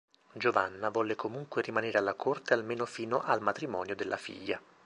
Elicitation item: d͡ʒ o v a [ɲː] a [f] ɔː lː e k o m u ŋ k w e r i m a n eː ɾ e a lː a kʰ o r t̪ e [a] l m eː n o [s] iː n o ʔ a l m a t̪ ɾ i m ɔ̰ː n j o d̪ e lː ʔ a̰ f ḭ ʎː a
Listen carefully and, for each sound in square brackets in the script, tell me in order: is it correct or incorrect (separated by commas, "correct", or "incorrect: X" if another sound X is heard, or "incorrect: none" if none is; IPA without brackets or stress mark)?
incorrect: nː, incorrect: v, correct, incorrect: f